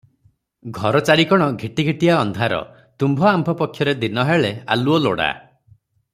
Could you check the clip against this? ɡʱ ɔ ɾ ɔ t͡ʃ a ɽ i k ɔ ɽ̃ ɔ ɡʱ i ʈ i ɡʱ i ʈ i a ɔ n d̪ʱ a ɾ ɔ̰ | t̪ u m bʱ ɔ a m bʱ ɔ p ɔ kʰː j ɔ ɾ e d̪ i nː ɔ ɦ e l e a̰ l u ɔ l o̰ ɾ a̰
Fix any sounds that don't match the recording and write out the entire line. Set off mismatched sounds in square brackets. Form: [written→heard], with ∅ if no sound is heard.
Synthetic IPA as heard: ɡʱ ɔ ɾ ɔ t͡ʃ a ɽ i k ɔ ɽ̃ ɔ ɡʱ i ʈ i ɡʱ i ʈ i a ɔ n d̪ʱ a ɾ ɔ̰ | t̪ u m bʱ ɔ a m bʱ ɔ p ɔ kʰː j ɔ ɾ e d̪ i [nː→n] ɔ ɦ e [l→ɭ] e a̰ l u ɔ l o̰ [ɾ→ɽ] a̰